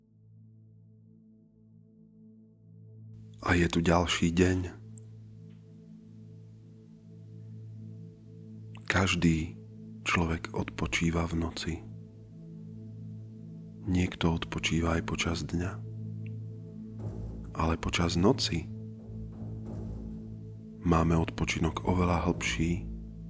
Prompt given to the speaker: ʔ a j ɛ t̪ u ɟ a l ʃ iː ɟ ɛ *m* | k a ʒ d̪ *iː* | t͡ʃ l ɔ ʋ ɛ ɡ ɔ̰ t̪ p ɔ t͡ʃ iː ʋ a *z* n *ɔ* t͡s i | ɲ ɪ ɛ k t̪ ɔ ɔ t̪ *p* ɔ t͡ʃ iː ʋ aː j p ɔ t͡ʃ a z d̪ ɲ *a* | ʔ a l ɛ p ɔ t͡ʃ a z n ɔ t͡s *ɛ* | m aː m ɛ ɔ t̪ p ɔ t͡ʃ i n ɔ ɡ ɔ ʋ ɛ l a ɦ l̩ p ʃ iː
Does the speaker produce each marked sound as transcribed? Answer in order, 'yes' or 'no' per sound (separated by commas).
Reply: no, yes, no, yes, yes, yes, no